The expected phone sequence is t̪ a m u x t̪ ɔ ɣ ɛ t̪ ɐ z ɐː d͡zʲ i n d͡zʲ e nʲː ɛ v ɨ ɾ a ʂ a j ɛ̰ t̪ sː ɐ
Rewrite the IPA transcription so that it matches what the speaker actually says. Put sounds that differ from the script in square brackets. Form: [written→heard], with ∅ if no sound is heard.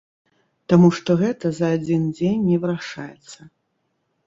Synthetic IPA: t̪ a m u [x→ʂ] t̪ ɔ ɣ ɛ t̪ ɐ z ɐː d͡zʲ i n d͡zʲ e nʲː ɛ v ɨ ɾ a ʂ a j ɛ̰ t̪ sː ɐ